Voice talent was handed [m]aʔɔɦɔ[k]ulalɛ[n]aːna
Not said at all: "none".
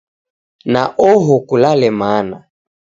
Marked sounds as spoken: n, k, m

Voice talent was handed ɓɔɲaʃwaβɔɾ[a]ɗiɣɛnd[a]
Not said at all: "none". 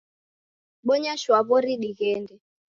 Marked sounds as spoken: i, ɛ

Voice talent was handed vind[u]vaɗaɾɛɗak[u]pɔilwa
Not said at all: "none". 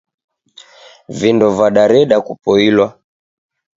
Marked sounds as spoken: ɔ, u

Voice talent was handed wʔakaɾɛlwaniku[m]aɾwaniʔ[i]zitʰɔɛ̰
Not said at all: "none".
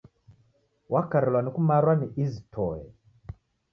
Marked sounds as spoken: m, i

